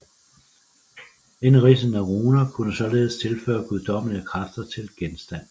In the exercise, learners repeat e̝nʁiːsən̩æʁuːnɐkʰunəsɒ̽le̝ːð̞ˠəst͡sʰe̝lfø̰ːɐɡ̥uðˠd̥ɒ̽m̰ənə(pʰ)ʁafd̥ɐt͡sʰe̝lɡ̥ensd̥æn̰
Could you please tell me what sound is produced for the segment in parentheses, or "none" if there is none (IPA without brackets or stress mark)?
kʰ